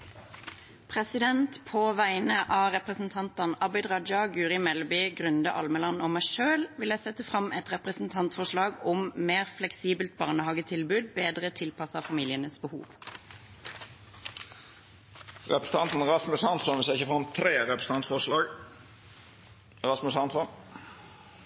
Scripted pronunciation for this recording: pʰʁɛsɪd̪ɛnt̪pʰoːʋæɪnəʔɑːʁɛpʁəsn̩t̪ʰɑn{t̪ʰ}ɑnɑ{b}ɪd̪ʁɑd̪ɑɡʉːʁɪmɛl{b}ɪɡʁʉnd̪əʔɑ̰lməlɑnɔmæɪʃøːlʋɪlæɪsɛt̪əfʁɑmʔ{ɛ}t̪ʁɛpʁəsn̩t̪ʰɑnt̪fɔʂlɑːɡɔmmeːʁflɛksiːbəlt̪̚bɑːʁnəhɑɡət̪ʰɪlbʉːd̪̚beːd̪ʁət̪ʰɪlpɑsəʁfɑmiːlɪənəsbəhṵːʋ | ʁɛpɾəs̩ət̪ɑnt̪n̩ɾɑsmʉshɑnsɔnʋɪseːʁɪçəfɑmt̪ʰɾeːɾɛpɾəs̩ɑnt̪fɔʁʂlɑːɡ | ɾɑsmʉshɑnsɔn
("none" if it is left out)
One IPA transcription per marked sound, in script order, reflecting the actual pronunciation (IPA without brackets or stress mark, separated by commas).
t̪, b, b, ɛ